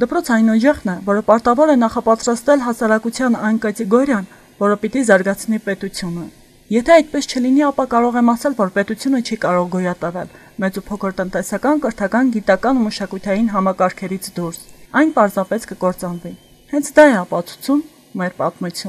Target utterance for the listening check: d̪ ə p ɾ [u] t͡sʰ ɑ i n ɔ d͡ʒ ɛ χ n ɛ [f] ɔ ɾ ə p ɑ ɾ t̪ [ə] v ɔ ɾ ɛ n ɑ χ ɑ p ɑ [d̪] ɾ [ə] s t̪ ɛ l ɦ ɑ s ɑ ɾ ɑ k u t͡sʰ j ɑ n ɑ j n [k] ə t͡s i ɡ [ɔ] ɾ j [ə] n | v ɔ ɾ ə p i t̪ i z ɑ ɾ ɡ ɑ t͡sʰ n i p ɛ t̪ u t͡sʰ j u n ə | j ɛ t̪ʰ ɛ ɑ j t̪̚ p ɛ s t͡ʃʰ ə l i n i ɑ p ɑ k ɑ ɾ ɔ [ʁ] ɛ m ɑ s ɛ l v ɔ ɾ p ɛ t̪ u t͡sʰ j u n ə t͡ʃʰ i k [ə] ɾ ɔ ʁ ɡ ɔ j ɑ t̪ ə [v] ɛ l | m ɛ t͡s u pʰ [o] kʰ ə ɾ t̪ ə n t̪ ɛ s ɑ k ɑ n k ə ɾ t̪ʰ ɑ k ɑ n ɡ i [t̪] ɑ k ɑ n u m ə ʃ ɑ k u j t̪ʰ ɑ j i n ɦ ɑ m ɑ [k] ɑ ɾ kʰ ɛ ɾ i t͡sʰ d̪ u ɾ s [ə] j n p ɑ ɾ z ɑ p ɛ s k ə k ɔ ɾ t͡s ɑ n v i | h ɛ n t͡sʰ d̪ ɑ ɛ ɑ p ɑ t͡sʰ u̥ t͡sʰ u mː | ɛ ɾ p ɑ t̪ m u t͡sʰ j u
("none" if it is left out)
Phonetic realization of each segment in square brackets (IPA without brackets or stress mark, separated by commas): ɔ, v, ɑ, t̪, ɑ, k, ɔ, ɑ, ʁ, ɑ, v, ɔ, t̪, k, ɑ